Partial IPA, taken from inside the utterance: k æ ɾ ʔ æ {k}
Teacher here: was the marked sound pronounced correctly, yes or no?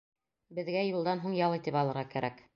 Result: yes